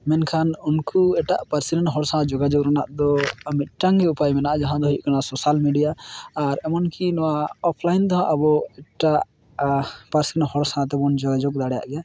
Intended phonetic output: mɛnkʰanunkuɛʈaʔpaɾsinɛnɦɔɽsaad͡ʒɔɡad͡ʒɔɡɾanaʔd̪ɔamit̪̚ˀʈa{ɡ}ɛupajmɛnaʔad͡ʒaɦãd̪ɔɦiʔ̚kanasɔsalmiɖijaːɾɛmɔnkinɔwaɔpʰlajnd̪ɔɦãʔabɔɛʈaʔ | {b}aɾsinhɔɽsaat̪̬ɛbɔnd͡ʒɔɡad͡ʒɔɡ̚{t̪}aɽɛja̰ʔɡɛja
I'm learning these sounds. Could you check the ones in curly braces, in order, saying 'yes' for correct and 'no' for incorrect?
no, no, no

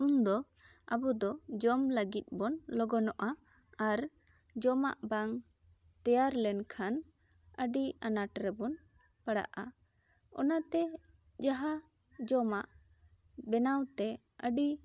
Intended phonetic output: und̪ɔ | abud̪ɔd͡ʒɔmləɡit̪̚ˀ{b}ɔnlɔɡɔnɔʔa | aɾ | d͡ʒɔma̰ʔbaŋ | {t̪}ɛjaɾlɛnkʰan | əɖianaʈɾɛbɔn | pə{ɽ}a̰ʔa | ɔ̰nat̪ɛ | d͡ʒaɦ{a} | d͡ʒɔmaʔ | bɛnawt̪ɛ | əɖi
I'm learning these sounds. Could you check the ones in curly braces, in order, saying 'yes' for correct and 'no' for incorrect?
yes, yes, yes, yes

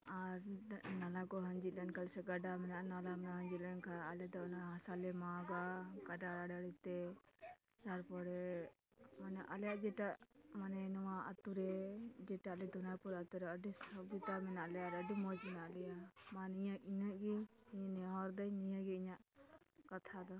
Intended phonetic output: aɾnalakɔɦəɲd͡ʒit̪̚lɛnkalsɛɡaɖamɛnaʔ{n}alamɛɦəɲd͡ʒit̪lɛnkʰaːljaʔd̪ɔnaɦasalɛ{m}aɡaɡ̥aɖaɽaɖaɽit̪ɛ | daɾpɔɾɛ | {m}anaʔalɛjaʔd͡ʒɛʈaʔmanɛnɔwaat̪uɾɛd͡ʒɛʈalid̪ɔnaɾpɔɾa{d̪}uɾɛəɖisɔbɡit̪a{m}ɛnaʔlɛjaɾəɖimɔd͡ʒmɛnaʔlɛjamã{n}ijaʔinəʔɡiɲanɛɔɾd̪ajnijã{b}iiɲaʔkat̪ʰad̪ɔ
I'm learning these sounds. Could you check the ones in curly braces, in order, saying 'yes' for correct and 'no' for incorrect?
yes, yes, yes, no, yes, yes, no

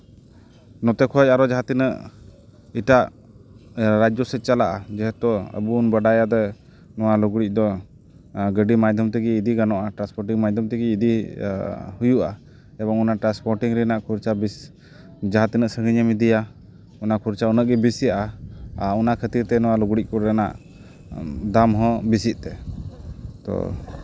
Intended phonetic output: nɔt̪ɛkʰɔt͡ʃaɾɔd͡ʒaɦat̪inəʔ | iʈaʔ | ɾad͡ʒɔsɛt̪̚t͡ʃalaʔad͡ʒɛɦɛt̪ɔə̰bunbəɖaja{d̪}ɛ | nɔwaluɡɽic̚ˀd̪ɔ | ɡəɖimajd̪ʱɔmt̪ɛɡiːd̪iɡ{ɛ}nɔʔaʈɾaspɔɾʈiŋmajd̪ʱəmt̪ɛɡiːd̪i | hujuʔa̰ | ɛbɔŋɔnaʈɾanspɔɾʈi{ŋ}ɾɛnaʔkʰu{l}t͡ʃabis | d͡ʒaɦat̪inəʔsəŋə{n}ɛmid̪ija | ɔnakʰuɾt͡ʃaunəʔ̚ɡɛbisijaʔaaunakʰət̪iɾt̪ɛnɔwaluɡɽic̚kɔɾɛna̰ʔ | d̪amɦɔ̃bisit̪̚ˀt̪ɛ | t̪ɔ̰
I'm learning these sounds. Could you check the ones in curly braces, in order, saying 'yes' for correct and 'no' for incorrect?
yes, no, yes, no, no

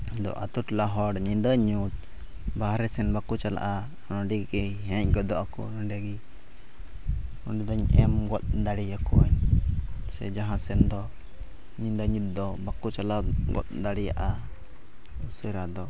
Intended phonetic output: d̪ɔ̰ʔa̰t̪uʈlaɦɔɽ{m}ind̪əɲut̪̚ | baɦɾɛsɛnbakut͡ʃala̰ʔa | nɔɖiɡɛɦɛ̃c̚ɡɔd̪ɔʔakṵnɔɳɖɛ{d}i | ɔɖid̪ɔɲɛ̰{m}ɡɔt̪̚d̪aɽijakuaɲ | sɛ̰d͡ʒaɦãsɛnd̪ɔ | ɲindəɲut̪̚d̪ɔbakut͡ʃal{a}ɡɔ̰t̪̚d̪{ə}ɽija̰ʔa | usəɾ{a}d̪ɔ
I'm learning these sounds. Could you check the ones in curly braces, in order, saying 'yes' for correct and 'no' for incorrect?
no, no, yes, yes, no, yes

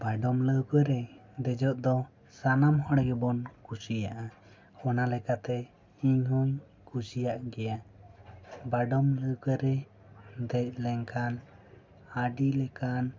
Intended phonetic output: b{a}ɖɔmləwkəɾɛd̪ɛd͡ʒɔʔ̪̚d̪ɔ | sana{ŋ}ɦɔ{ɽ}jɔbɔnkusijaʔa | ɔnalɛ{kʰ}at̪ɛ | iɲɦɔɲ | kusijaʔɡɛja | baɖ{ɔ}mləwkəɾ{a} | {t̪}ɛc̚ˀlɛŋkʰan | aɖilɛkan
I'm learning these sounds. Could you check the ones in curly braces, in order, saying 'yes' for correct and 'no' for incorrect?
yes, no, yes, no, yes, no, no

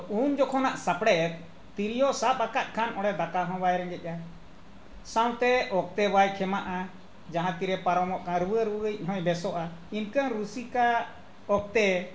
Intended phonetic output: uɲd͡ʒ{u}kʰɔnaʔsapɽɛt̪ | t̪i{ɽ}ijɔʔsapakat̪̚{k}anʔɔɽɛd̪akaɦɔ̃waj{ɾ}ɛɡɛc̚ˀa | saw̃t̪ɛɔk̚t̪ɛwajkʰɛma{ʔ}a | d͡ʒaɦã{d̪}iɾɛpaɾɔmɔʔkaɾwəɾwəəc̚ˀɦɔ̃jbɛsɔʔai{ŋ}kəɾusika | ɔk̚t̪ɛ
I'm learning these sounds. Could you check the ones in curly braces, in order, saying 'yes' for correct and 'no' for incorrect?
no, no, no, yes, yes, no, no

